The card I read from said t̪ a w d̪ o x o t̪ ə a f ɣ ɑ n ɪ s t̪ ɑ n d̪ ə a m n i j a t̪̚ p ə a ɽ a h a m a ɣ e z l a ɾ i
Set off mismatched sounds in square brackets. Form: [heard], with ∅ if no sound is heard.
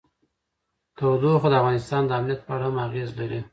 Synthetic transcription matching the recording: t̪ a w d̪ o x o [d̪] ə a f ɣ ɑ n ɪ s t̪ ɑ n d̪ ə a m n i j a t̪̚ p ə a ɽ a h a m a ɣ e z l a ɾ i